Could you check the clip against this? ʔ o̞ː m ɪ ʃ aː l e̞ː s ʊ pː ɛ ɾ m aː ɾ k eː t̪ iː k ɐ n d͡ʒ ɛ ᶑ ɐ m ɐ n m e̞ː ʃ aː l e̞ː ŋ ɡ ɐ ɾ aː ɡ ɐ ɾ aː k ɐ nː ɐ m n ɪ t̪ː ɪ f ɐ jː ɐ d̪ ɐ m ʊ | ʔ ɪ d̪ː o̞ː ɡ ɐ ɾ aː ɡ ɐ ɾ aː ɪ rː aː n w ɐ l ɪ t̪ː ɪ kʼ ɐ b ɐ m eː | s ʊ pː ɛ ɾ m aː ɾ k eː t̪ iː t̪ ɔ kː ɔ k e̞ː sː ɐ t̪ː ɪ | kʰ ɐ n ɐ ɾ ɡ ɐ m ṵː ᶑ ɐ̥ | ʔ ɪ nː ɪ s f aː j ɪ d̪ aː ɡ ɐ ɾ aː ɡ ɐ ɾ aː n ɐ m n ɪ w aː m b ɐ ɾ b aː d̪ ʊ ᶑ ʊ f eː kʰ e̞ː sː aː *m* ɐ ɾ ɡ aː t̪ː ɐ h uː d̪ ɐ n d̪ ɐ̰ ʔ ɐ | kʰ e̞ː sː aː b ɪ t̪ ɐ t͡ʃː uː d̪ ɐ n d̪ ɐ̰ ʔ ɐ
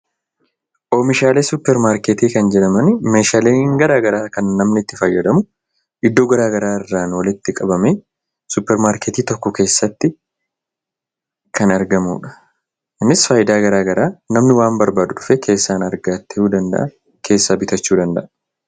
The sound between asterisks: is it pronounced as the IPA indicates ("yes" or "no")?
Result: no